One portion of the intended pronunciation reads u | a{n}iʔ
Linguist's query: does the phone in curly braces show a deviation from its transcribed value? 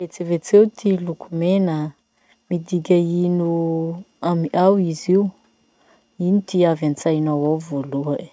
yes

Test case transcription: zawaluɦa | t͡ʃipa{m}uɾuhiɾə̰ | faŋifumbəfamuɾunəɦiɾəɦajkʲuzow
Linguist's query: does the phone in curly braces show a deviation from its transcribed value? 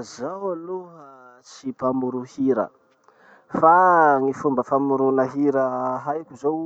no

